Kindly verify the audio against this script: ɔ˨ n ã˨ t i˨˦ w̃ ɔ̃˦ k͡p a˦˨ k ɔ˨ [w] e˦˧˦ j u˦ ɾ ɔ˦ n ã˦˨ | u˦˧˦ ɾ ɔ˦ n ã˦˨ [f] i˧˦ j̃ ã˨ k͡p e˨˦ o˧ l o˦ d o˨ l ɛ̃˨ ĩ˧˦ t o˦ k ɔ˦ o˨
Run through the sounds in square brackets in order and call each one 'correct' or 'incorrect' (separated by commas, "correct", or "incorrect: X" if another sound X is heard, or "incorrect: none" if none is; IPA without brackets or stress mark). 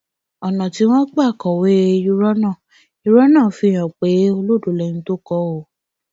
correct, correct